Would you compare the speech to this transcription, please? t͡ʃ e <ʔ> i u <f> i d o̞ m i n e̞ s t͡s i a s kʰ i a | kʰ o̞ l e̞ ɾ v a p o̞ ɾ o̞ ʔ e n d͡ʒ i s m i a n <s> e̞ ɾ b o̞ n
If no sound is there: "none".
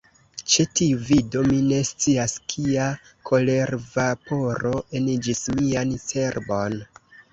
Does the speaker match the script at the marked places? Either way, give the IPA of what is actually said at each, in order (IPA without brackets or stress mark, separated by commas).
t, v, s